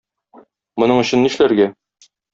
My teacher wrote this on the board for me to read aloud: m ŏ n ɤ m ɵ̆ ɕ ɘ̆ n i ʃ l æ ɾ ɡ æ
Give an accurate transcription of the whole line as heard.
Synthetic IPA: m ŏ n ɤ ɴ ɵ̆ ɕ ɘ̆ nː i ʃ l æ ɾ ɡ æ